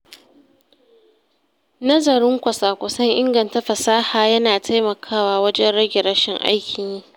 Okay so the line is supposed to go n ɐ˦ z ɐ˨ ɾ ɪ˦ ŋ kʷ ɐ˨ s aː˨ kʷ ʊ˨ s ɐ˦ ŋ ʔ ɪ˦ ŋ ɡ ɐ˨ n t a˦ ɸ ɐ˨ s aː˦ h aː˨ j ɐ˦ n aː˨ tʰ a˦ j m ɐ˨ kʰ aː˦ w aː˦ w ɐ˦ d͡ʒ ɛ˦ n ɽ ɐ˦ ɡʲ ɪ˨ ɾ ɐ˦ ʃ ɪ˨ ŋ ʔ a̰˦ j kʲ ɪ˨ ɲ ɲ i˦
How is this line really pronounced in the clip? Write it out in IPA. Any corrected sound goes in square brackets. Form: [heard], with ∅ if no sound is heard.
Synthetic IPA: n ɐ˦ z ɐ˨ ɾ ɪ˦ ŋ kʷ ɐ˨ s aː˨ kʷ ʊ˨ s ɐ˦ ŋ ʔ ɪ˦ ŋ ɡ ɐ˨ n t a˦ ɸ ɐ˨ s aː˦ h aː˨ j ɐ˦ n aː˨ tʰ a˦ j m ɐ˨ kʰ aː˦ w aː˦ w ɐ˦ d͡ʒ ɛ˦ n ɽ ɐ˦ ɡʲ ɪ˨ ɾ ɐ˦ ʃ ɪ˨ ŋ ʔ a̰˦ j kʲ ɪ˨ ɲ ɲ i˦